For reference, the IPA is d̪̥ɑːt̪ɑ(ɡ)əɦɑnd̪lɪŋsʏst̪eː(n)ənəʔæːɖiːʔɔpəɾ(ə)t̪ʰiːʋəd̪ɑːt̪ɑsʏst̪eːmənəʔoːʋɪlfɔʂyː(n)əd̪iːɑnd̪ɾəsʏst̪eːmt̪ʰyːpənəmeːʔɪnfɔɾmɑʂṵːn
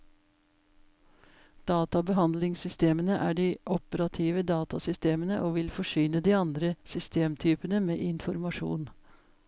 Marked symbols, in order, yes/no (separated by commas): no, no, no, yes